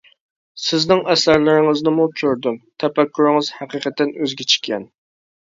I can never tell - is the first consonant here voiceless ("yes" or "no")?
yes